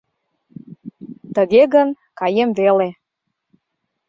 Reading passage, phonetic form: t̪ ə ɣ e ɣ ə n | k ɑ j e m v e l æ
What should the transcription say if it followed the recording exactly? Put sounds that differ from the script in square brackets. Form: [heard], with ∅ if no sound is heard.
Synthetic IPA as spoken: t̪ ə ɣ e ɣ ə n | k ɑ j e m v e l [e]